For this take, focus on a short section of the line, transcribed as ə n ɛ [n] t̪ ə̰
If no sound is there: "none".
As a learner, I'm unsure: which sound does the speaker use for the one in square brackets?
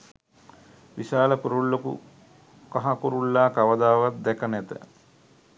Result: none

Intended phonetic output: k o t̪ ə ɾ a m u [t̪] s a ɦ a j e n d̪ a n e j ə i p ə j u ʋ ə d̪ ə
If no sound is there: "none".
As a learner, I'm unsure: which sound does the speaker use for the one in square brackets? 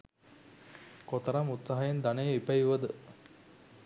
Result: t̪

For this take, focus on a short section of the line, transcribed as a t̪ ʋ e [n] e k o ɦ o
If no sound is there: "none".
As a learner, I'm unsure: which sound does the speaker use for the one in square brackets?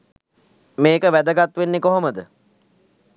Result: nː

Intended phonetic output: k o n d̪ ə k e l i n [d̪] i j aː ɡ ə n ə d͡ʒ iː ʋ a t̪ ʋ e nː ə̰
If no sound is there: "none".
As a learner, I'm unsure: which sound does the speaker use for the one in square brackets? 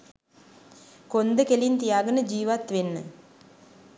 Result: t̪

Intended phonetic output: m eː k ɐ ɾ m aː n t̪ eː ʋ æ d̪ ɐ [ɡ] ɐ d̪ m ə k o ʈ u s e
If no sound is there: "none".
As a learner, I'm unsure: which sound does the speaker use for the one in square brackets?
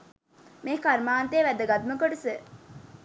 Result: ɡ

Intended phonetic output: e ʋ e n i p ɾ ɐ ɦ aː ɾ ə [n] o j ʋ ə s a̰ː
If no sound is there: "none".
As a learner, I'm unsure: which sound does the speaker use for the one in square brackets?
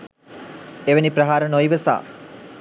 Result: n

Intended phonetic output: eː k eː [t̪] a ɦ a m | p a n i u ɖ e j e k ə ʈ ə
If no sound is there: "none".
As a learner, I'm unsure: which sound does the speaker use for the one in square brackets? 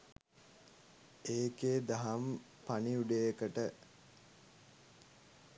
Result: d̪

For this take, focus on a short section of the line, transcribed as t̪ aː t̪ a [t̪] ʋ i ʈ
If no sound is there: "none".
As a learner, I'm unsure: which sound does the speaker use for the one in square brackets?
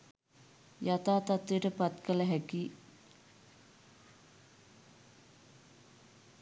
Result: t̪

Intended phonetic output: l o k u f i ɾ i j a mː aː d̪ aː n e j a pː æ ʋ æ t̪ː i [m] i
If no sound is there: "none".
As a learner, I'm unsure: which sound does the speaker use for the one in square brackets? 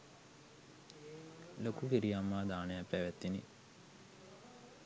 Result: n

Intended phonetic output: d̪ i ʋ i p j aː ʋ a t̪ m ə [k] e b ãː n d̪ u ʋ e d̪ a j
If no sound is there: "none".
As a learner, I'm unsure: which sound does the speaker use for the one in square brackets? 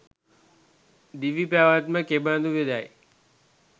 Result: k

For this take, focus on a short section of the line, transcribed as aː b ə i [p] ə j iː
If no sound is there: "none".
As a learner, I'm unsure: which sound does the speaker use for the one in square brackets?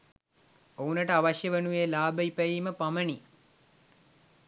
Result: p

